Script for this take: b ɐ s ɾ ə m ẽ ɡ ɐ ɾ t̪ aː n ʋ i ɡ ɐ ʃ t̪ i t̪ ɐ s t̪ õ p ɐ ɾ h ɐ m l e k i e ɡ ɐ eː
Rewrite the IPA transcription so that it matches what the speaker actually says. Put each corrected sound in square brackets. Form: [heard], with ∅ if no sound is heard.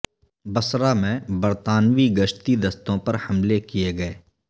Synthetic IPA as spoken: b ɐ s ɾ [a] m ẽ [b] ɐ ɾ t̪ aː n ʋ i ɡ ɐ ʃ t̪ i [d̪] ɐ s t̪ õ p ɐ ɾ h ɐ m l e k i e ɡ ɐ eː